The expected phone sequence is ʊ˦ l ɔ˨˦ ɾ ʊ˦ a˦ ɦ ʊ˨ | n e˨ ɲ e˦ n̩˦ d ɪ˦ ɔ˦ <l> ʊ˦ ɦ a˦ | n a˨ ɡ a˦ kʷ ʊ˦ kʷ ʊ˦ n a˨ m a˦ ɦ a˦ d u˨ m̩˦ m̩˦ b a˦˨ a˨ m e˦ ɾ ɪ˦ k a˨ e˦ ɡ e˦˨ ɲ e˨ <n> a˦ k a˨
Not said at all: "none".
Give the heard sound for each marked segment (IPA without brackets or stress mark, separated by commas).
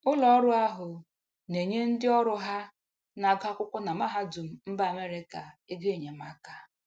ɾ, m